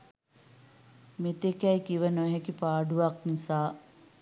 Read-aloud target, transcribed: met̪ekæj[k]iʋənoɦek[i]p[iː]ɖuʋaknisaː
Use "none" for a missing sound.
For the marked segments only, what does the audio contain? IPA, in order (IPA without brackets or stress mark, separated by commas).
k, i, aː